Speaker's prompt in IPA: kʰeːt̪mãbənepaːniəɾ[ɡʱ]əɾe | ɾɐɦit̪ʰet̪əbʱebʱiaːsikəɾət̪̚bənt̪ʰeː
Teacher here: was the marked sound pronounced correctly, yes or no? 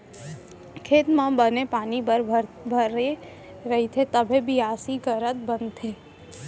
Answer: no